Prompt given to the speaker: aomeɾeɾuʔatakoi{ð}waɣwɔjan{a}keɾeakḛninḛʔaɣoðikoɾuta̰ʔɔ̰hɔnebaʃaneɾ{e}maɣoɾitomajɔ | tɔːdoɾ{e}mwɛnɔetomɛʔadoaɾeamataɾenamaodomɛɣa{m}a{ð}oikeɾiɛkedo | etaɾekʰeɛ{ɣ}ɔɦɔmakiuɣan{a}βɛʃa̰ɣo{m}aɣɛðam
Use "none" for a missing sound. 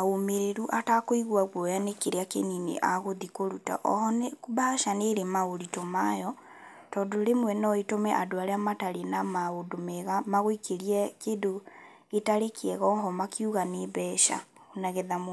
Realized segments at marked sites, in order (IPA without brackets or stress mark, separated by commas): ɣ, e, e, e, m, ɣ, ɣ, e, n